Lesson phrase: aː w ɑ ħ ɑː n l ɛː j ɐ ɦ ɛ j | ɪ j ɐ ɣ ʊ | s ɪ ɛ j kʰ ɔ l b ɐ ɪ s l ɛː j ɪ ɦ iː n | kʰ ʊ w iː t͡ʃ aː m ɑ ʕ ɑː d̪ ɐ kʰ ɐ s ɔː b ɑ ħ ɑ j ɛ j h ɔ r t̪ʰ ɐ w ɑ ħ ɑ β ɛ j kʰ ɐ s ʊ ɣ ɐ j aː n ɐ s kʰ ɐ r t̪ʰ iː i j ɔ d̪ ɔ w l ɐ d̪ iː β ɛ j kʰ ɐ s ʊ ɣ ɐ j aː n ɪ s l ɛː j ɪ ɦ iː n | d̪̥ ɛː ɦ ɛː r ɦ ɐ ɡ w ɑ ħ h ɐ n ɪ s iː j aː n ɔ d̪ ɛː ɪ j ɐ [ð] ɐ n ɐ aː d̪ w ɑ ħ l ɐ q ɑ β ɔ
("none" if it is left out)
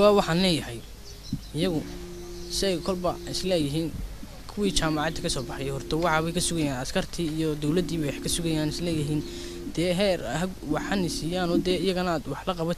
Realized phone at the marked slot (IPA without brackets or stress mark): ɣ